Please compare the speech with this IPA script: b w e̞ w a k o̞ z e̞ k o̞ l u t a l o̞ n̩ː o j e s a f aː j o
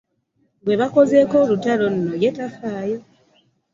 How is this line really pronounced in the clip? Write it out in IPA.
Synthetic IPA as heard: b w e̞ β a k o̞ z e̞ k o̞ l u t a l o̞ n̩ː o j e t a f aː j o